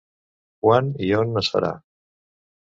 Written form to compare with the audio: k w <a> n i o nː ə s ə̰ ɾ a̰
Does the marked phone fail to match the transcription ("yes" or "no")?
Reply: no